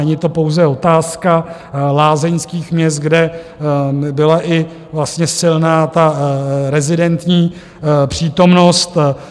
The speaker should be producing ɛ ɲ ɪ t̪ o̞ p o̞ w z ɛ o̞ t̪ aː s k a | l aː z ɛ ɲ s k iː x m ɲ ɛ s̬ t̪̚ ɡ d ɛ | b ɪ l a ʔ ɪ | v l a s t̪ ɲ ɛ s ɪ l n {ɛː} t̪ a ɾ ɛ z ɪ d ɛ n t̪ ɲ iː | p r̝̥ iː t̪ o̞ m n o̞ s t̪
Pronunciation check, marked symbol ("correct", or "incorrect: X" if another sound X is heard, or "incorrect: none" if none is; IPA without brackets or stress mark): incorrect: aː